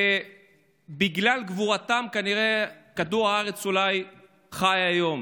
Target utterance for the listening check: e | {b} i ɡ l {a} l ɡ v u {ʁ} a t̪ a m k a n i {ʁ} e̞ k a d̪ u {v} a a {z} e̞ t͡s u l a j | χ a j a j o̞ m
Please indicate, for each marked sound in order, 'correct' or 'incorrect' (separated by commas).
correct, correct, correct, correct, incorrect, incorrect